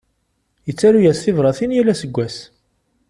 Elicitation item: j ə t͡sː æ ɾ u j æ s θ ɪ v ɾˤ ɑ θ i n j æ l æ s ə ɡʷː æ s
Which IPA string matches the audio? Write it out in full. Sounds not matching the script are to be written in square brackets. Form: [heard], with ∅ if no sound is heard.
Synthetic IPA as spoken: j ə t͡sː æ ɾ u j æ s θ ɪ v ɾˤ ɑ θ i n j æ l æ s ə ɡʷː æ s